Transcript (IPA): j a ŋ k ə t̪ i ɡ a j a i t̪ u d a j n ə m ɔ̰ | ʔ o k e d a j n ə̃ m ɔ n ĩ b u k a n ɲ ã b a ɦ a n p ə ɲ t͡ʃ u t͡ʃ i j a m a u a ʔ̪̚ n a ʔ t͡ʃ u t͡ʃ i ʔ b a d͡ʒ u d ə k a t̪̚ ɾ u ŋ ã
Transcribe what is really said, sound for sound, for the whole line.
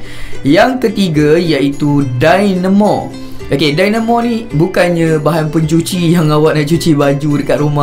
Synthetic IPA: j a ŋ k ə t̪ i ɡ a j a i t̪ u d a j n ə m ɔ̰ | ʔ o k e d a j n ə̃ m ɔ n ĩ b u k a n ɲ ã b a ɦ a n p ə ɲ t͡ʃ u t͡ʃ i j a ŋ a w a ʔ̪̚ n a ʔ t͡ʃ u t͡ʃ i b a d͡ʒ u d ə k a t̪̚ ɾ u m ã